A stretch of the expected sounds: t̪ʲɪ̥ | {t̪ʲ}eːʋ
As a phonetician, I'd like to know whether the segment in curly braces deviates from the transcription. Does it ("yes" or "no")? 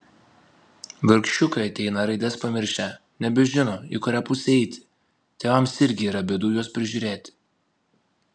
no